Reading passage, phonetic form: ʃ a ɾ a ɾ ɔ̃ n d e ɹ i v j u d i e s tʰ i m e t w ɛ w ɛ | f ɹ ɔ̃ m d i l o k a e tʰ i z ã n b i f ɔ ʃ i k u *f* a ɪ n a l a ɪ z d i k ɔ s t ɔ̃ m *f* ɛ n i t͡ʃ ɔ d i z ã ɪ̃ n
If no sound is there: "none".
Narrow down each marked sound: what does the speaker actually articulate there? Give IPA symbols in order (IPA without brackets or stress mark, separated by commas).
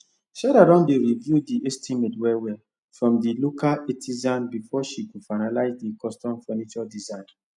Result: f, f